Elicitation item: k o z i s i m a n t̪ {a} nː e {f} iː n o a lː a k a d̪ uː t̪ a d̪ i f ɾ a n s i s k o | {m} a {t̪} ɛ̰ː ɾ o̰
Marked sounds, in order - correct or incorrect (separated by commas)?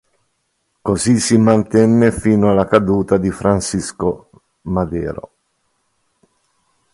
incorrect, correct, correct, incorrect